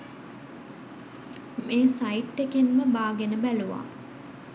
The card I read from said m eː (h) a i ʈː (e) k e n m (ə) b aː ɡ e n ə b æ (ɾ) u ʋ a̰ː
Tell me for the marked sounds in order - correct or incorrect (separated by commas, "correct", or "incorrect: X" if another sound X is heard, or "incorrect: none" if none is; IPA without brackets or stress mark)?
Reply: incorrect: s, correct, correct, incorrect: l